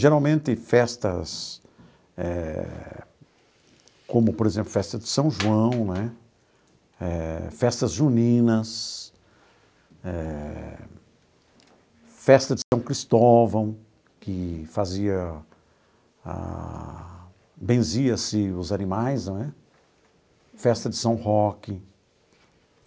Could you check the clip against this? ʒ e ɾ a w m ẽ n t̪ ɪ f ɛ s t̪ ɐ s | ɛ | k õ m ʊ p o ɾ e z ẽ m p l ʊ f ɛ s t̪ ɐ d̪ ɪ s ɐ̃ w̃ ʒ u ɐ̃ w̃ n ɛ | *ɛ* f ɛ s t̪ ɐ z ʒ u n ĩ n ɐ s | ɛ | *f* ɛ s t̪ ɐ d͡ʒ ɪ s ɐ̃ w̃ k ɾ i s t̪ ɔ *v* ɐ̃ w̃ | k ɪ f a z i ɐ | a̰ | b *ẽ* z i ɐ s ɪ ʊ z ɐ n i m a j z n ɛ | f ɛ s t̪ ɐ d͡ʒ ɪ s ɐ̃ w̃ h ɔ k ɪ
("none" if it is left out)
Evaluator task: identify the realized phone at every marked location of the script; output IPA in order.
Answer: ɛ, f, v, ẽ

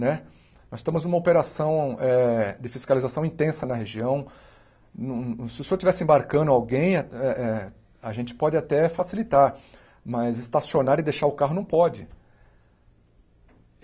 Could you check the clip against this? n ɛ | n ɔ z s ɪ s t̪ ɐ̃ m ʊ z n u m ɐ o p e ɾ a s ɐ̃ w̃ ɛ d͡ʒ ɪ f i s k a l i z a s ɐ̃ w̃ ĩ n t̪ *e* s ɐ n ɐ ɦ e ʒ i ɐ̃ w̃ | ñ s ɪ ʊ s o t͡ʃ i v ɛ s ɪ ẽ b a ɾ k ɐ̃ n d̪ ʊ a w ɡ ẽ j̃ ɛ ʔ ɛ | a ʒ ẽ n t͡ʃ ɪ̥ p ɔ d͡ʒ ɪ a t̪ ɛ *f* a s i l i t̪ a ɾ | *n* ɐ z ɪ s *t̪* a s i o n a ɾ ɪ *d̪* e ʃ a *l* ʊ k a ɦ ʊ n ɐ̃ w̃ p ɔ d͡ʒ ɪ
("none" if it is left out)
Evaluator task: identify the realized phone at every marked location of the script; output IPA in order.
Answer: ẽ, f, m, t̪, d̪, ɾ

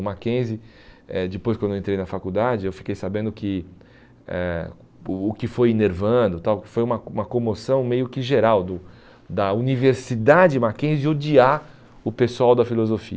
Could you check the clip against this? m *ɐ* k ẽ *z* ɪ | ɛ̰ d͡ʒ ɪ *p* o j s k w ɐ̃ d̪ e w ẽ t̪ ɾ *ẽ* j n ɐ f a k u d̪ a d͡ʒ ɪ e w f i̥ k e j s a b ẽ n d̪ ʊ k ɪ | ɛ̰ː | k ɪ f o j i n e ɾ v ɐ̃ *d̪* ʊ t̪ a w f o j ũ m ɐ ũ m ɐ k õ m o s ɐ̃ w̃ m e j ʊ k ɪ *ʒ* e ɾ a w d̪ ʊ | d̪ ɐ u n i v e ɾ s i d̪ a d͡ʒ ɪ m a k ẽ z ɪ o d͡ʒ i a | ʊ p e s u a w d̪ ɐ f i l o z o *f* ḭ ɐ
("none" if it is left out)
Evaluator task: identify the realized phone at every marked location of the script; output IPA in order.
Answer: a, z, p, e, d̪, ʒ, f

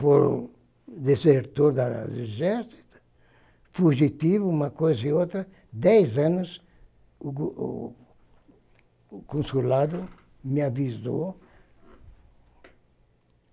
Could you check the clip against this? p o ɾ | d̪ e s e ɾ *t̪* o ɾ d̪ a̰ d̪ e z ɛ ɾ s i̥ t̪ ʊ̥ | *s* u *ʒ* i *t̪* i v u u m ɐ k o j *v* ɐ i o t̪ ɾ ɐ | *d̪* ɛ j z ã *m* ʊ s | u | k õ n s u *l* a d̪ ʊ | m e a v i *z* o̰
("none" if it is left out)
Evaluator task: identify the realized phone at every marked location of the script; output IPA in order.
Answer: t̪, f, ʒ, t̪, z, d̪, n, l, z

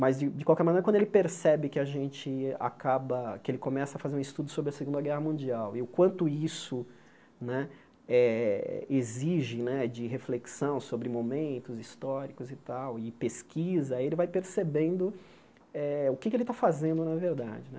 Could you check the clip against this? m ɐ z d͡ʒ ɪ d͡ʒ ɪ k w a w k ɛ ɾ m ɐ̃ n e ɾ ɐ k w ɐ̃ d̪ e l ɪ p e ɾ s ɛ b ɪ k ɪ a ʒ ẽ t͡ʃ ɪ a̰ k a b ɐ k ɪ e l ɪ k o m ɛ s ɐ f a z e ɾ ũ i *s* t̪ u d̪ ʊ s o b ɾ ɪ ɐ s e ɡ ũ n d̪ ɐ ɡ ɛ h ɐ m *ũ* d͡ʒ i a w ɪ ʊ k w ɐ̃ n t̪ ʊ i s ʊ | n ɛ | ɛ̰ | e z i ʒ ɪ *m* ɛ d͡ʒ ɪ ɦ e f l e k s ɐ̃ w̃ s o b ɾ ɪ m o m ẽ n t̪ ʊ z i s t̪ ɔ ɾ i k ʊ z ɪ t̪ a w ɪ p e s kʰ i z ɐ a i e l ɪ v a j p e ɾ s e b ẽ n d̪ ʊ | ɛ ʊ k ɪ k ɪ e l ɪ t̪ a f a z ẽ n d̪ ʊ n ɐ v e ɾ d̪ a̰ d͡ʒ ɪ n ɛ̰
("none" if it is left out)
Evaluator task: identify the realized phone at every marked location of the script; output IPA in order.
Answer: s, ũ, n

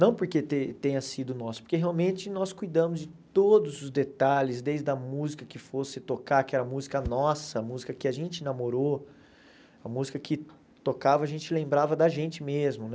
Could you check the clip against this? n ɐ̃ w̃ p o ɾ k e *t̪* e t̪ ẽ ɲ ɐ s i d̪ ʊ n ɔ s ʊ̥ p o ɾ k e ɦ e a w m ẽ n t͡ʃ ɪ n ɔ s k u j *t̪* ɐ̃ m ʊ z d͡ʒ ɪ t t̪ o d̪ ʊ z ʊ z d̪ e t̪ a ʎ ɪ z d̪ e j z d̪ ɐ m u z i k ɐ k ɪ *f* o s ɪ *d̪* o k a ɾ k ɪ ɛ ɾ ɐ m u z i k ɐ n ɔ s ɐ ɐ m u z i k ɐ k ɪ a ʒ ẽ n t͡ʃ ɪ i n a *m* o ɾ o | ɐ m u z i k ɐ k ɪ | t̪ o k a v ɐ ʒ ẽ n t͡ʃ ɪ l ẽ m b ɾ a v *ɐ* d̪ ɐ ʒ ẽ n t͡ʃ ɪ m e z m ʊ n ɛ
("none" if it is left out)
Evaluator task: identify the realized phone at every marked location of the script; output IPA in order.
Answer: t̪, d̪, f, t̪, m, ɐ

